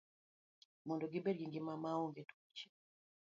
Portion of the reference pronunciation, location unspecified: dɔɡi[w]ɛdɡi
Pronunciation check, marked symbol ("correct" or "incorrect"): incorrect